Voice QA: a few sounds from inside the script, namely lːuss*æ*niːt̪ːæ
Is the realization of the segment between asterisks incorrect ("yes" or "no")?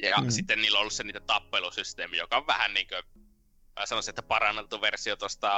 yes